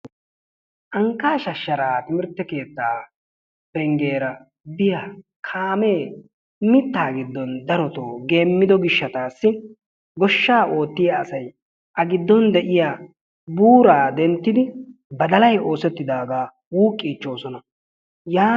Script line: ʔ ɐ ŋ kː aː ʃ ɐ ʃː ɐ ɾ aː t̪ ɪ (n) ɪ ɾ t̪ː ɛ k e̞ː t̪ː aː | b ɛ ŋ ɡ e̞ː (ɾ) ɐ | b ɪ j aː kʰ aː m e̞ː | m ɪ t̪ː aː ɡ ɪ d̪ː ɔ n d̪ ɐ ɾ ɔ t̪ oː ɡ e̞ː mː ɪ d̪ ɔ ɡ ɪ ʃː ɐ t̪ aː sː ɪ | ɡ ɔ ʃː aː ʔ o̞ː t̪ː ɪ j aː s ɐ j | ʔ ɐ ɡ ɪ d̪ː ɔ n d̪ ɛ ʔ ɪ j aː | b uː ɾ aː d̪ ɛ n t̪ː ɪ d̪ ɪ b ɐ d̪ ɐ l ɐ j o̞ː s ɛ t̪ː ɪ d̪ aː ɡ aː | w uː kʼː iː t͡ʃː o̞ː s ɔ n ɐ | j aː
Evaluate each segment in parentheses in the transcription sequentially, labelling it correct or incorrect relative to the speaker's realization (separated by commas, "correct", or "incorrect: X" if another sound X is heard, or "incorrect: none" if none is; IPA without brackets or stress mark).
incorrect: m, correct